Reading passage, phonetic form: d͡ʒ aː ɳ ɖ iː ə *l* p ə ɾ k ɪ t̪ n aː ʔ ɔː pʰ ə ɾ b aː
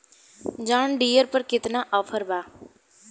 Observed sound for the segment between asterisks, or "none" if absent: ɾ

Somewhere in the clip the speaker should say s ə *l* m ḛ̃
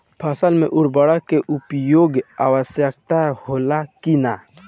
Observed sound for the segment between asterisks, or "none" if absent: l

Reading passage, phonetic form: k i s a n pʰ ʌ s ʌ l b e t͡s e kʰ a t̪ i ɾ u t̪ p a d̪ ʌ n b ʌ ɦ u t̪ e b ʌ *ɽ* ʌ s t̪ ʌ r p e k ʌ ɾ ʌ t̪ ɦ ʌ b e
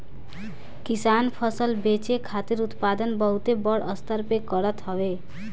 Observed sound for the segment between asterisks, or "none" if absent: ɽ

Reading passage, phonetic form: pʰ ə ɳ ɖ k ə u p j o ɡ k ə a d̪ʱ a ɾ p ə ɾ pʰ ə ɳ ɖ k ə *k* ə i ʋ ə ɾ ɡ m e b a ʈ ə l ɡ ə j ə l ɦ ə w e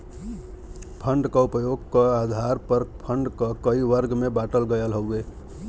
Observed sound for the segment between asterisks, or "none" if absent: k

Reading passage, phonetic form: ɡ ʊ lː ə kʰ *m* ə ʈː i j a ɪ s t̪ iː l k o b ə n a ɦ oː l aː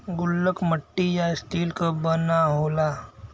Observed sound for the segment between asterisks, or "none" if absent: m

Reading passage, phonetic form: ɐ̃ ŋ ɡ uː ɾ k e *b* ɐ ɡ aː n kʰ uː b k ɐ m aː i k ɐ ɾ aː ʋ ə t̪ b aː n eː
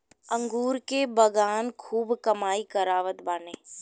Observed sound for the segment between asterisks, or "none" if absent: b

